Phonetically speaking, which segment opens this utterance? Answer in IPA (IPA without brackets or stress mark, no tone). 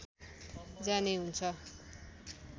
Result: d͡z